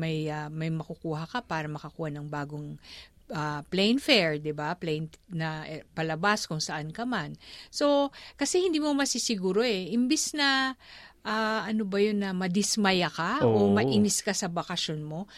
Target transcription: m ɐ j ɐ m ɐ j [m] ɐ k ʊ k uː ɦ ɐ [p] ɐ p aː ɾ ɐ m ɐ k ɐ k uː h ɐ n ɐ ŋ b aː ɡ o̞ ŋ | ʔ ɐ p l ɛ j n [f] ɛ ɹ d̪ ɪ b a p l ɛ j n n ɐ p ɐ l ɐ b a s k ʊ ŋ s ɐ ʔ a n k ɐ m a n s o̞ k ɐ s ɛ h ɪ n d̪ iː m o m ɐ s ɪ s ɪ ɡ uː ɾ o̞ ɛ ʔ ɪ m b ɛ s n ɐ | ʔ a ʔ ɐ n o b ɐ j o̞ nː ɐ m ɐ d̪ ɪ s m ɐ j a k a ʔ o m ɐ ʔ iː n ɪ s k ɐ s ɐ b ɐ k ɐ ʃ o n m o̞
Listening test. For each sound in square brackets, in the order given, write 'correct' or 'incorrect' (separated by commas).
correct, incorrect, correct